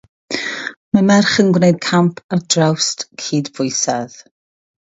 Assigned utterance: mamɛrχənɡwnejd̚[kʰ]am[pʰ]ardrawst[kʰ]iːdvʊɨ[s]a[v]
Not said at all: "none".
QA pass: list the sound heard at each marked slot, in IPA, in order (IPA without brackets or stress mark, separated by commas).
kʰ, pʰ, kʰ, s, ð